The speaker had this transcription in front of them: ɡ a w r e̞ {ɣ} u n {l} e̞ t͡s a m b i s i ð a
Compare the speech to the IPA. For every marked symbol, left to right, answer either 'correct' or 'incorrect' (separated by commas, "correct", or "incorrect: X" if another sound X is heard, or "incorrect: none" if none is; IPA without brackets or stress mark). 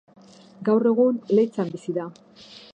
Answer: correct, correct